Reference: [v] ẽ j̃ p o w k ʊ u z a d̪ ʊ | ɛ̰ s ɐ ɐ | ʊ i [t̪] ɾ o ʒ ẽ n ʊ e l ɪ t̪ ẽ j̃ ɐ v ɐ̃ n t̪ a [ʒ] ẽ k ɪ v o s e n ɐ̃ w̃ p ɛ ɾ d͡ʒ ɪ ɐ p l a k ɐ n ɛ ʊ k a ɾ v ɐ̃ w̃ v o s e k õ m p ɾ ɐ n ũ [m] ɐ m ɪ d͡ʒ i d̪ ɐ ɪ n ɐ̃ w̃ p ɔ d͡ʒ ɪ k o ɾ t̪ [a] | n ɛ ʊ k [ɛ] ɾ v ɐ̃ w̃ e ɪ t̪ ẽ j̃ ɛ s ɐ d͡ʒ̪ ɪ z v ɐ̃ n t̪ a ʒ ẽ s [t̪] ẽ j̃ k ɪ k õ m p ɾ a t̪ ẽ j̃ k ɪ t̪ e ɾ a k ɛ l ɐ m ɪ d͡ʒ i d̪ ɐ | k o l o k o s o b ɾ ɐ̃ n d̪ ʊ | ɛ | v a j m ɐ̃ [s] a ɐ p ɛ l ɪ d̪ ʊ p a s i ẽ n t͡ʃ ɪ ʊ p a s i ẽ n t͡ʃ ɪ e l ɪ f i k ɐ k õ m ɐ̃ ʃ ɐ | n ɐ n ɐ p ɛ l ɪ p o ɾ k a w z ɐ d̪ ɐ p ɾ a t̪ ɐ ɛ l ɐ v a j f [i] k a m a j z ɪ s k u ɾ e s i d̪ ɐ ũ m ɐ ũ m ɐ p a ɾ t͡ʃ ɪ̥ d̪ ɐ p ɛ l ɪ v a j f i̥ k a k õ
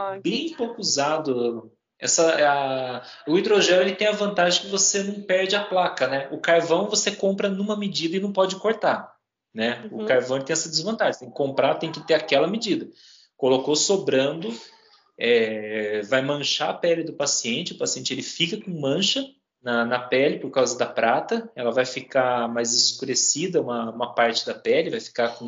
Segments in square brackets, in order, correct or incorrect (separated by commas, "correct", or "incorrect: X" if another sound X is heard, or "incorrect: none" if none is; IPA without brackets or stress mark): incorrect: b, incorrect: d̪, correct, correct, correct, incorrect: a, correct, incorrect: ʃ, correct